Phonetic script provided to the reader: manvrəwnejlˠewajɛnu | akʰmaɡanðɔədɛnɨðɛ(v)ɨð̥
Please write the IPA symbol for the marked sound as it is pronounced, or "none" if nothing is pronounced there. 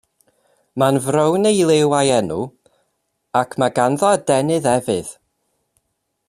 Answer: v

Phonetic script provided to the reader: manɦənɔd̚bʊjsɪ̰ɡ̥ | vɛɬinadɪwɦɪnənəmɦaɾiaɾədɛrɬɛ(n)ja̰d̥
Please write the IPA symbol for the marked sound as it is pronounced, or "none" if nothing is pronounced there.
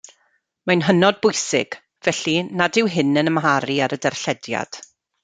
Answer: d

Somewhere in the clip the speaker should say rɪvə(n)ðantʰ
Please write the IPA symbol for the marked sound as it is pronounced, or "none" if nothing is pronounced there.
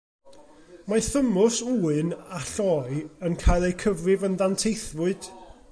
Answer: n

